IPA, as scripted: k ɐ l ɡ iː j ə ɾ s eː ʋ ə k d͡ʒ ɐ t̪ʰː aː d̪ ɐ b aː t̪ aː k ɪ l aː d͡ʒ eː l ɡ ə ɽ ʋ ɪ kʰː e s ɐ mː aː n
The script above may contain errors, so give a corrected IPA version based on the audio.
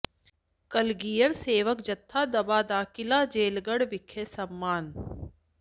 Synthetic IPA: k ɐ l ɡ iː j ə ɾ s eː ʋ ə k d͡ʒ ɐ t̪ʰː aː d̪ ɐ b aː d̪ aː k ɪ l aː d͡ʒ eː l ɡ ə ɽ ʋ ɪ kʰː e s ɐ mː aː n

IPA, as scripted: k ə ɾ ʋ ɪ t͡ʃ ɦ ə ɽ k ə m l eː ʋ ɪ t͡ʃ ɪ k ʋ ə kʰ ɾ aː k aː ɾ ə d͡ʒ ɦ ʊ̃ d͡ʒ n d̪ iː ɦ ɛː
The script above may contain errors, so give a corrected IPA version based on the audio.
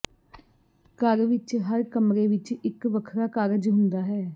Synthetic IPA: k ə ɾ ʋ ɪ t͡ʃ ɦ ə ɾ k ə m ɾ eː ʋ ɪ t͡ʃ ɪ k ʋ ə kʰ ɾ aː k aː ɾ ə d͡ʒ ɦ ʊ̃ n d̪ aː ɦ ɛː

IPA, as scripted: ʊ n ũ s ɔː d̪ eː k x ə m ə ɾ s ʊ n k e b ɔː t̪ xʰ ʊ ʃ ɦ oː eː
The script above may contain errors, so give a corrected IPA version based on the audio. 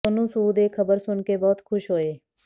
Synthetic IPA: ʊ n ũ s uː d̪ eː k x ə b ə ɾ s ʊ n k e b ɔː t̪ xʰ ʊ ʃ ɦ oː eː

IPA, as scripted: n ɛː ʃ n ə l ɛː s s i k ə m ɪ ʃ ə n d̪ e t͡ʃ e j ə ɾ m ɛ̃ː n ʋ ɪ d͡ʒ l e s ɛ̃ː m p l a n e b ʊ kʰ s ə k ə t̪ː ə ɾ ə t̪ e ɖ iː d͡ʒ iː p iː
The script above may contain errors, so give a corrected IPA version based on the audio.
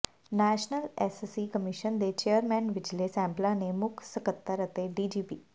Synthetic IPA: n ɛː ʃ n ə l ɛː s s i k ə m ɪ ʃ ə n d̪ e t͡ʃ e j ə ɾ m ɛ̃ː n ʋ ɪ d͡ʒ l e s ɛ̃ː m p l a n e m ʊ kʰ s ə k ə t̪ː ə ɾ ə t̪ e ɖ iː d͡ʒ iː p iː

